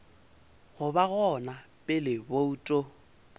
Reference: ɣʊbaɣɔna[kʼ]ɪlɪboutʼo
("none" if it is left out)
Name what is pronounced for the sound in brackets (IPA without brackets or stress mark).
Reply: pʼ